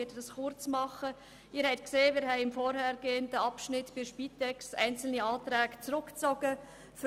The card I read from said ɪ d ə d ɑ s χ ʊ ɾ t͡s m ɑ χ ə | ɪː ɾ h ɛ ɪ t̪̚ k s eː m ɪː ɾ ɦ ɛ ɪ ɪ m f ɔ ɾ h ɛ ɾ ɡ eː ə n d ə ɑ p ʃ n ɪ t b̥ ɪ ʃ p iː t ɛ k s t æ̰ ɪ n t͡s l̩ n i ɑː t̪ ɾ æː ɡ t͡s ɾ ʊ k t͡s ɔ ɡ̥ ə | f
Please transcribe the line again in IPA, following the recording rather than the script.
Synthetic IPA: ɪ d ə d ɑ s χ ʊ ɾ t͡s m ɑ χ ə | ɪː ɾ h ɛ ɪ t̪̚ k s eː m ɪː ɾ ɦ ɛ ɪ ɪ m f ɔ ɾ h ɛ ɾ ɡ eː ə n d ə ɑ p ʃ n ɪ t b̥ ɪ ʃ p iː t ɛ k s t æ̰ ɪ n t͡s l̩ n i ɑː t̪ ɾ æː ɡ t͡s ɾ ʊ k t͡s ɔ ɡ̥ ə | f